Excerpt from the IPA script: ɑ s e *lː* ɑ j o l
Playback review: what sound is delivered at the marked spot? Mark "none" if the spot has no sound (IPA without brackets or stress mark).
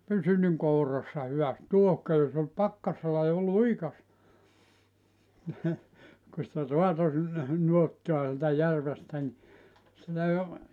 lː